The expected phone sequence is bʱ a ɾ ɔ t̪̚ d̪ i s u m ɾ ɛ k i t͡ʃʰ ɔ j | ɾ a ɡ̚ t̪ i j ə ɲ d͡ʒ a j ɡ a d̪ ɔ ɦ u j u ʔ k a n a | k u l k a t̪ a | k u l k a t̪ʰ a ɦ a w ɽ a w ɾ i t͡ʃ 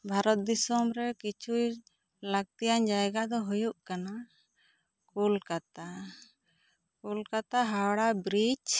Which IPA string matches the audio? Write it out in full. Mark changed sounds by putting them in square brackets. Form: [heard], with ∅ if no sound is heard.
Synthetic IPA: bʱ a ɾ ɔ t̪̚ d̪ i s [ɔ] m ɾ ɛ k i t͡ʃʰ [u] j | [l] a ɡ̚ t̪ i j [a] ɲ d͡ʒ a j ɡ a d̪ ɔ ɦ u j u ʔ k a n a | k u l k a t̪ a | k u l k a [t̪] a ɦ a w ɽ a [b] ɾ i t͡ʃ